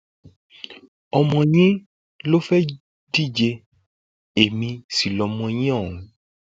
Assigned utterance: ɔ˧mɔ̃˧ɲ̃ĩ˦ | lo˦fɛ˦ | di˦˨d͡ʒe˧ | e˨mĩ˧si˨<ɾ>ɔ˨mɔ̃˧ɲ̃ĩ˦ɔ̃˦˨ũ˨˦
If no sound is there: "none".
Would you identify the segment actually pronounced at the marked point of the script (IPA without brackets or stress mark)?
l